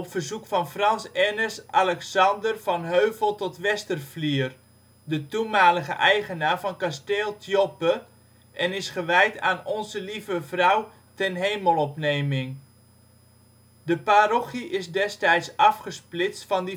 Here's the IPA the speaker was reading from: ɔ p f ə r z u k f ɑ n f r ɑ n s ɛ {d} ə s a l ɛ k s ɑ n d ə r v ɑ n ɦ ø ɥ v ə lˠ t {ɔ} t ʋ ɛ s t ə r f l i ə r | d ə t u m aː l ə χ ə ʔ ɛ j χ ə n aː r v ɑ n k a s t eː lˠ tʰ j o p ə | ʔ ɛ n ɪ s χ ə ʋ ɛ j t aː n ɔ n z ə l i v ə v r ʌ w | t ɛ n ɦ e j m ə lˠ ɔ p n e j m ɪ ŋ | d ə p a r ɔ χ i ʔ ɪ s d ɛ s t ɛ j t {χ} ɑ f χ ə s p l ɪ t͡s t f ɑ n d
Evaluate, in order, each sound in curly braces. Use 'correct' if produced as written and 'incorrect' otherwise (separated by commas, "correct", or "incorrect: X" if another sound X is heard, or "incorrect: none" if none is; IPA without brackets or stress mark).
incorrect: n, correct, incorrect: s